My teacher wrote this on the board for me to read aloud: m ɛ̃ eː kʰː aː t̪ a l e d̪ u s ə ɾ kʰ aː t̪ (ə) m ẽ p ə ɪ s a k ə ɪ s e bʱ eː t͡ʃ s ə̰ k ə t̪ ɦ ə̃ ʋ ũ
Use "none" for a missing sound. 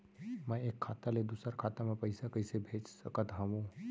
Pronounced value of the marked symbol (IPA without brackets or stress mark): a